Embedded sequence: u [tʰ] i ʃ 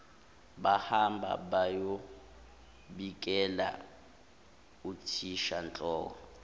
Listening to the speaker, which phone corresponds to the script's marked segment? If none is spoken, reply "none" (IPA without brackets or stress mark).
tʰ